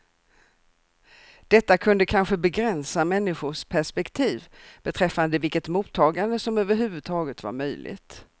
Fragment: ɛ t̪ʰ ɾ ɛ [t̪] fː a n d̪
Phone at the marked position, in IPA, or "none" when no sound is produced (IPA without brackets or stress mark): none